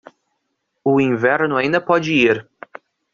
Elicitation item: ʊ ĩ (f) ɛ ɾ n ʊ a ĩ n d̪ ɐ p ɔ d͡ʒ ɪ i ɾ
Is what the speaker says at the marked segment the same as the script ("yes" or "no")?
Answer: no